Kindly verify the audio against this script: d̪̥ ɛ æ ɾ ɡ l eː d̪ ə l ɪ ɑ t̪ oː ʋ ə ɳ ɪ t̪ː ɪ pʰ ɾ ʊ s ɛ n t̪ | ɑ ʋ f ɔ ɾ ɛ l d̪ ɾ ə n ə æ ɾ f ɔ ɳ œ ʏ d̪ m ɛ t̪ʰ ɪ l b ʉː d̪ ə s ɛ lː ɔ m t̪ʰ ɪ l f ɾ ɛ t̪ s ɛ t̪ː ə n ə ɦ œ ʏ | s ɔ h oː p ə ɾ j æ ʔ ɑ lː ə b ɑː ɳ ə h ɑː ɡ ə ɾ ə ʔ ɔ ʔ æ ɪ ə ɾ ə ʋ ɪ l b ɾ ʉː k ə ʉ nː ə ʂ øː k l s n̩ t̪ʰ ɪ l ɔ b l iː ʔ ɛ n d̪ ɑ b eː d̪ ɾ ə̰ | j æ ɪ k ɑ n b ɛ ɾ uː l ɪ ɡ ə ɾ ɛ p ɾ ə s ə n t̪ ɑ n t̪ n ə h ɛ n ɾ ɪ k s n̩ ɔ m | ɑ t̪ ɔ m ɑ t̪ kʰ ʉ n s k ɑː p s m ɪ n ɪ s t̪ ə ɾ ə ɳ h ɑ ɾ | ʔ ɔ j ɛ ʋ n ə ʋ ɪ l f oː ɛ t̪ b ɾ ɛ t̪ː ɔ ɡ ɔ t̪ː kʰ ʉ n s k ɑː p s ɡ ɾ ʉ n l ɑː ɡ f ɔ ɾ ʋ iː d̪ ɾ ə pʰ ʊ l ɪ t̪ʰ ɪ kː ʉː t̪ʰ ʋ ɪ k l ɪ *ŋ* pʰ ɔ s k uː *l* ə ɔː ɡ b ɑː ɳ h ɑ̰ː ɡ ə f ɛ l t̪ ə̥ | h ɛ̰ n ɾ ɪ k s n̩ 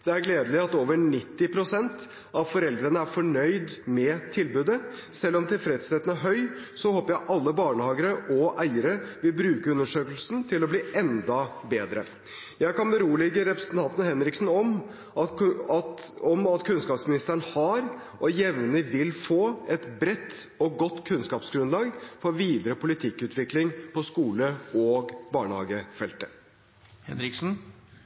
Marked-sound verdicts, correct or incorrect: correct, correct

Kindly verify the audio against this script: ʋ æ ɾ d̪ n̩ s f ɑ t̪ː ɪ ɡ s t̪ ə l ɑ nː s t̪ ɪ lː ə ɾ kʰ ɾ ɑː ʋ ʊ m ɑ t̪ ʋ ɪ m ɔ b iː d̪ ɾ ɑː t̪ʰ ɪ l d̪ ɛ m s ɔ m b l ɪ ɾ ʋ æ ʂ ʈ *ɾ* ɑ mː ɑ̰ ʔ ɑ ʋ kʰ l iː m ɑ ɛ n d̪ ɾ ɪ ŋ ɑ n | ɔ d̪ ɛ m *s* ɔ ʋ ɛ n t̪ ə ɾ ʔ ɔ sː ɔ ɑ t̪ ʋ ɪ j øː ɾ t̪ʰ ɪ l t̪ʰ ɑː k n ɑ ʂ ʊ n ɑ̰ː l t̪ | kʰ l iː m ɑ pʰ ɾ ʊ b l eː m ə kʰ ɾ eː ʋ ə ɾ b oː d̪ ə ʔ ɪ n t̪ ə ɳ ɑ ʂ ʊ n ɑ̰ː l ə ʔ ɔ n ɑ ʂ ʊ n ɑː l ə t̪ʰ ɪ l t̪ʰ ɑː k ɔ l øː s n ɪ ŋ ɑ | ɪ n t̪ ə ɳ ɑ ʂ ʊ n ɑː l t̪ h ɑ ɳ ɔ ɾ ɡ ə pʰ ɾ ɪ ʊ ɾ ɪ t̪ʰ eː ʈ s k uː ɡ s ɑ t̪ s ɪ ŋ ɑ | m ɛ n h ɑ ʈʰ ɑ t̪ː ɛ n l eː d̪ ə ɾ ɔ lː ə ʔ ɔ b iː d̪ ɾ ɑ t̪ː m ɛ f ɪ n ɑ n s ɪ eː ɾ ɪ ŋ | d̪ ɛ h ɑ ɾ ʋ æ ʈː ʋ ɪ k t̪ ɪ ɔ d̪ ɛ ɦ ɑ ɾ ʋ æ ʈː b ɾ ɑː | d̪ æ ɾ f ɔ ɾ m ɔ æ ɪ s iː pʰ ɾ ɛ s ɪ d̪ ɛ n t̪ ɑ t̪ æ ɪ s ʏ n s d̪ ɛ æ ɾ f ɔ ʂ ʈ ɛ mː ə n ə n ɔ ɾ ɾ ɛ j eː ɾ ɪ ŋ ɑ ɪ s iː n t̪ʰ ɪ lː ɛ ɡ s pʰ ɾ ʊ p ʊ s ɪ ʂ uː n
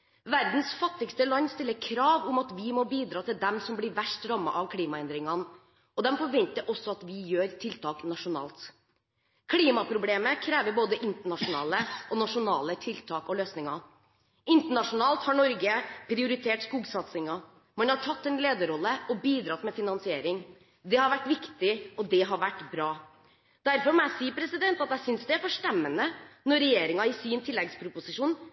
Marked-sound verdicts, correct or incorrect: correct, incorrect

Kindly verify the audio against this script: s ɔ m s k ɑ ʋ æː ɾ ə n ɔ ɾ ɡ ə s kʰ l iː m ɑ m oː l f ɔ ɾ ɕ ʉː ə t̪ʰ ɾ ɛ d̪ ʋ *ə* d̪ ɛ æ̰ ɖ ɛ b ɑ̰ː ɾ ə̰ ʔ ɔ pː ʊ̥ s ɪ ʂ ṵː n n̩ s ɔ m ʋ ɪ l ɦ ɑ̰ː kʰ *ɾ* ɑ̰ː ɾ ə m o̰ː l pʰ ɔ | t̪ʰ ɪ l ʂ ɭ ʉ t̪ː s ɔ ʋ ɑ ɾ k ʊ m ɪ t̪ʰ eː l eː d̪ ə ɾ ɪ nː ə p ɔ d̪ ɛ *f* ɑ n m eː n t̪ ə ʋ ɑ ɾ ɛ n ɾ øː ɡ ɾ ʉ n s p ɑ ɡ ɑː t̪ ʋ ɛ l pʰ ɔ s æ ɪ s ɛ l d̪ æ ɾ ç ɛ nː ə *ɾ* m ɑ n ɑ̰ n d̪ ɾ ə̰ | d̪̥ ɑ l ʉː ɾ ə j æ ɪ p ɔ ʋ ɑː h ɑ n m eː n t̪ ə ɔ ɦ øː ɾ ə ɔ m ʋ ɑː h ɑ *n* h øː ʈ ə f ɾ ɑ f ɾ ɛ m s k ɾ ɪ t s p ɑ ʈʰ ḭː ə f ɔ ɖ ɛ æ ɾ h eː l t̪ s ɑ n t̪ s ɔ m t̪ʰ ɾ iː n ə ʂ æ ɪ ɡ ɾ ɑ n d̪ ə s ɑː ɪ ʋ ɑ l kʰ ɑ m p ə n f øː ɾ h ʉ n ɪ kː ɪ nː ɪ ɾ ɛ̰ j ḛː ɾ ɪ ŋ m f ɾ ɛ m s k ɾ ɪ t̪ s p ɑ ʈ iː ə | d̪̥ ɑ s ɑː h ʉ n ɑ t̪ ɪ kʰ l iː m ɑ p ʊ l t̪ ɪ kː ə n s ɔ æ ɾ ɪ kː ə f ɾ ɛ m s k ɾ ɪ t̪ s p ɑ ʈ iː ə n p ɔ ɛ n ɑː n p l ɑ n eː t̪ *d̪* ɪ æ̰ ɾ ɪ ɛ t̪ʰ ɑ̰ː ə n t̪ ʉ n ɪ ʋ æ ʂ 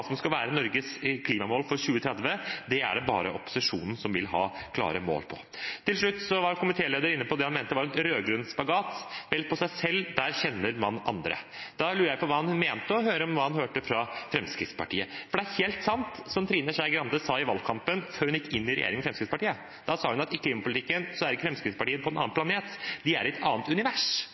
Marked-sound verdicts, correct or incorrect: correct, incorrect, incorrect, correct, correct, correct

